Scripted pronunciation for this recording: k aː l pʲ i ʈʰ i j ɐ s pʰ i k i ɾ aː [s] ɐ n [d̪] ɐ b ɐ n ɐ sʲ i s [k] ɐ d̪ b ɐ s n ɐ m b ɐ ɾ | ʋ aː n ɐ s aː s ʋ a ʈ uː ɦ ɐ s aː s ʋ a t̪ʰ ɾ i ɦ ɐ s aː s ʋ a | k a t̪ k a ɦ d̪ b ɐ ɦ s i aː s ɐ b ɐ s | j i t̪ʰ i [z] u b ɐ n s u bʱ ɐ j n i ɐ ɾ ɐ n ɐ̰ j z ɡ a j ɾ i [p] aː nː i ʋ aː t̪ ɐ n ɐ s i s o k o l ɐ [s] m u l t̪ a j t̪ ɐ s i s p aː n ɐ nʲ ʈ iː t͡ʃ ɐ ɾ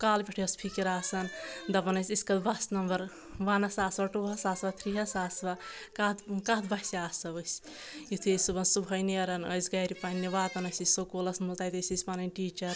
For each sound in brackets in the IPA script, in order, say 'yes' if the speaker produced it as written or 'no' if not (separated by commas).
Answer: yes, yes, yes, no, yes, yes